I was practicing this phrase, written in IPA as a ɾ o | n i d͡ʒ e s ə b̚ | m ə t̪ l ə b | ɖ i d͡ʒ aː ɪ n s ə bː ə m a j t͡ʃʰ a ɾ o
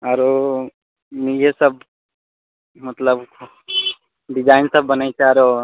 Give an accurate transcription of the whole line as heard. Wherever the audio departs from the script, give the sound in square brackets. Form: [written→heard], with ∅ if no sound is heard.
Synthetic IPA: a ɾ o | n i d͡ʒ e s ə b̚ | m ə t̪ l ə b | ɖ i d͡ʒ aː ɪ n s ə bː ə [m→n] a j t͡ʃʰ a ɾ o